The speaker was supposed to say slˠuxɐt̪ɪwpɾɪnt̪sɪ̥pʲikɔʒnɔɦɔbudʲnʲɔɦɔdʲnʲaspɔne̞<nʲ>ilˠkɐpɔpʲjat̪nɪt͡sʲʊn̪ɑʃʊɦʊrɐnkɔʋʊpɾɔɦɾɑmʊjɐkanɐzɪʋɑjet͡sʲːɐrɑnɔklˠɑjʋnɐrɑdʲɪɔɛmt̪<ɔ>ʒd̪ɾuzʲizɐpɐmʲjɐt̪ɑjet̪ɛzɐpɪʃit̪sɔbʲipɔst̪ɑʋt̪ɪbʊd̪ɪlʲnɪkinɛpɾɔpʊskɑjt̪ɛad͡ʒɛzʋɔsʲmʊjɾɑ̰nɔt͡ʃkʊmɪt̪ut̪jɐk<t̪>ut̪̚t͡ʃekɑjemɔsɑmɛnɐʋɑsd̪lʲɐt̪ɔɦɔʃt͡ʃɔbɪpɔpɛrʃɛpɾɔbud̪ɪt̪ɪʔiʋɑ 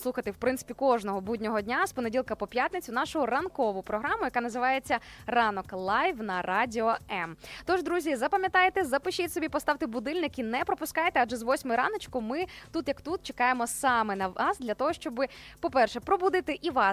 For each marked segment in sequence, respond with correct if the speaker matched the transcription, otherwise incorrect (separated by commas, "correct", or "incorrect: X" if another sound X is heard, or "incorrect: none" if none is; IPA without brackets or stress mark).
incorrect: dʲ, correct, correct